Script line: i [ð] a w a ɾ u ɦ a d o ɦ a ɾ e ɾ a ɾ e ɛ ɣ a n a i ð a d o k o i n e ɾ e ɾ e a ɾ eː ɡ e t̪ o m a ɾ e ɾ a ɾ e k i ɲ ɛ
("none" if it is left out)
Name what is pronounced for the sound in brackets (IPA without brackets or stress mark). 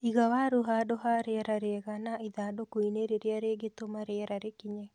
ɣ